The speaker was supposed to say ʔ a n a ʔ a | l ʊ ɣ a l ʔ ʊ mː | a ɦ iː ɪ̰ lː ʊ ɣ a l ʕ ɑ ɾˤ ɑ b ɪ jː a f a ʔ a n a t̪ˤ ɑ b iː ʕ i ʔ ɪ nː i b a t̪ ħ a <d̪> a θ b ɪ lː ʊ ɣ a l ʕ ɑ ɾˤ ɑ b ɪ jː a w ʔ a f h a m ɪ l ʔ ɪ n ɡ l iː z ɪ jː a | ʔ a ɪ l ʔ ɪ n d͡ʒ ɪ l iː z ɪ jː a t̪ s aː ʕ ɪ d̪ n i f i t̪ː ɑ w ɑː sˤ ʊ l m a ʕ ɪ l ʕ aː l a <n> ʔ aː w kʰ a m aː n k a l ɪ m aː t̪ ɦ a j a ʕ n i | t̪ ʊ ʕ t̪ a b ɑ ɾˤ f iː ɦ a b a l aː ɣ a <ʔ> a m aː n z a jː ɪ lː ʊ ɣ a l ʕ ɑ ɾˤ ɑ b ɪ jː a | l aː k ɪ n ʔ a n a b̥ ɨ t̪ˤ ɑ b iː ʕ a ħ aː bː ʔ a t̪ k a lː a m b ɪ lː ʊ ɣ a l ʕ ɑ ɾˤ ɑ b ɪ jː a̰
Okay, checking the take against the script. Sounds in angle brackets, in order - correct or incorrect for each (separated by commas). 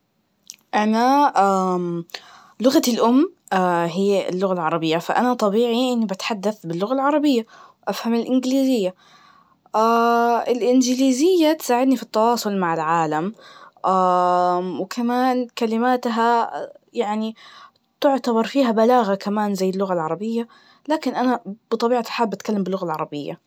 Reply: incorrect, incorrect, incorrect